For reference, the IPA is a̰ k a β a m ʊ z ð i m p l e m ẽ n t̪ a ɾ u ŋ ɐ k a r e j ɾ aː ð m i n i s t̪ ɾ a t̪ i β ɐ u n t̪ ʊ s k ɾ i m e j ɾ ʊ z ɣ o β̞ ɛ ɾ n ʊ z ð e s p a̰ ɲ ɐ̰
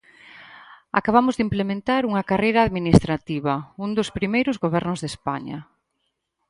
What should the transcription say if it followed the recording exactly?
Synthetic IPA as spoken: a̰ k a β a m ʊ z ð i m p l e m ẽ n t̪ a ɾ u ŋ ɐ k a r e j ɾ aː ð m i n i s t̪ ɾ a t̪ i β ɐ u n d̪ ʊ s p ɾ i m e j ɾ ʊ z ɣ o β̞ ɛ ɾ n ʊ z ð e s p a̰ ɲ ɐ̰